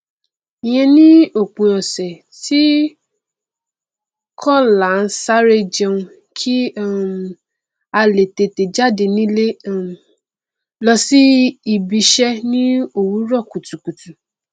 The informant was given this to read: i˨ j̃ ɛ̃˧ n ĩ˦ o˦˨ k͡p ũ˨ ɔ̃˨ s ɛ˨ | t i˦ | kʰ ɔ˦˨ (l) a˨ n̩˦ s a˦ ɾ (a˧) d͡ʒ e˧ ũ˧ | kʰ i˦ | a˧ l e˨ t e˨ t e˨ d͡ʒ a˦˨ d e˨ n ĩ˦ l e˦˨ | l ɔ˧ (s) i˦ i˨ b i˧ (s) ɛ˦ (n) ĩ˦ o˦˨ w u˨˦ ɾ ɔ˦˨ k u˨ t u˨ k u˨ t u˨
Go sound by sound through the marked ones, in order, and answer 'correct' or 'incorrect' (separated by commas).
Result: correct, incorrect, correct, incorrect, correct